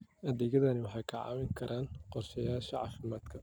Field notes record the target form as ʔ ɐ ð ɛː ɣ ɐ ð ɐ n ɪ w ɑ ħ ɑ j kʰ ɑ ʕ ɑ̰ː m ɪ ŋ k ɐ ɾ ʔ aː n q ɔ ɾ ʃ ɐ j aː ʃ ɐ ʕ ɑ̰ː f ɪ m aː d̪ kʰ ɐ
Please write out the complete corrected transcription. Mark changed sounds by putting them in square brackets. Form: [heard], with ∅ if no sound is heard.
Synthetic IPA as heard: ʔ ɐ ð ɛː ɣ ɐ ð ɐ n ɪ w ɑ ħ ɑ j kʰ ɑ ʕ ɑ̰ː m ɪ ŋ [kʰ] ɐ ɾ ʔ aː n q ɔ [r] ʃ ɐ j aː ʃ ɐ ʕ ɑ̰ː f ɪ m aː d̪ kʰ ɐ

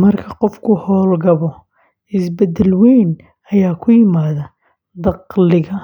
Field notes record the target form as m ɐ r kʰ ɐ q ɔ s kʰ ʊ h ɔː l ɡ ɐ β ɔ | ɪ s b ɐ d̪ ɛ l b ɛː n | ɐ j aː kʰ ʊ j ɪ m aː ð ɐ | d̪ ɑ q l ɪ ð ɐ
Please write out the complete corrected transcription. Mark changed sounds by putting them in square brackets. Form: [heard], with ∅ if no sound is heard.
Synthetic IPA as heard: m ɐ r kʰ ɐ q ɔ [f] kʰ ʊ h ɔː l ɡ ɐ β ɔ | ɪ s b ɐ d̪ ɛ l [w] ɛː n | ɐ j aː kʰ ʊ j ɪ m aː ð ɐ | d̪ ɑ q l ɪ [ɣ] ɐ

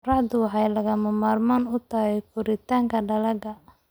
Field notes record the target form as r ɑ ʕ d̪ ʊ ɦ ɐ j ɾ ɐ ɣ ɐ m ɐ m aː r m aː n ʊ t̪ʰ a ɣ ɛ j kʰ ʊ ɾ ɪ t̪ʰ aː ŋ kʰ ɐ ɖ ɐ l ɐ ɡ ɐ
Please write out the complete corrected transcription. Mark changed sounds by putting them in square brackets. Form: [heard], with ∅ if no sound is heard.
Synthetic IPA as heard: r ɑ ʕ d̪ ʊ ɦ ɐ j [l] ɐ ɣ ɐ m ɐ m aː r m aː n ʊ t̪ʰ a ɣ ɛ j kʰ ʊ ɾ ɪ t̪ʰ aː ŋ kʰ ɐ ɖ ɐ l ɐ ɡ ɐ

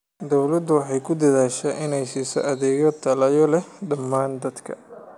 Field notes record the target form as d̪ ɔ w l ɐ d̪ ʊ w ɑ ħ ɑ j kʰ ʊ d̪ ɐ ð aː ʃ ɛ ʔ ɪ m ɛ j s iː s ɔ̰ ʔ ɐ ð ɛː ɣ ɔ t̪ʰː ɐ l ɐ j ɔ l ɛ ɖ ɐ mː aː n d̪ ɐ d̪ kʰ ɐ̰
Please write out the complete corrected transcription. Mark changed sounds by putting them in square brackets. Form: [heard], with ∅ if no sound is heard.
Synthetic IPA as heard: d̪ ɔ w l ɐ d̪ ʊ w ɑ ħ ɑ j kʰ ʊ d̪ ɐ ð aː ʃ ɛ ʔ ɪ [n] ɛ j s iː s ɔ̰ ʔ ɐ ð ɛː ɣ ɔ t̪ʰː ɐ l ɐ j ɔ l ɛ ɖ ɐ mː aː n d̪ ɐ d̪ kʰ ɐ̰

